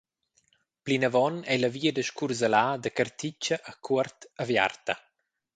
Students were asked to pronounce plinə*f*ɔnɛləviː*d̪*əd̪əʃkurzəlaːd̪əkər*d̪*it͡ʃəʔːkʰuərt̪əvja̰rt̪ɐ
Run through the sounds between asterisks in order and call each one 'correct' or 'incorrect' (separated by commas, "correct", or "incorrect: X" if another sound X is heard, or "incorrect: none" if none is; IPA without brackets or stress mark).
incorrect: v, incorrect: none, incorrect: t̪